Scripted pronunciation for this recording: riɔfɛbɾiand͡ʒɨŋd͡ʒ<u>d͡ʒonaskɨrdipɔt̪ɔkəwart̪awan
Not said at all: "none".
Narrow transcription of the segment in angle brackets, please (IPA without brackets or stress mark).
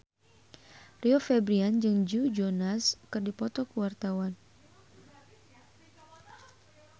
u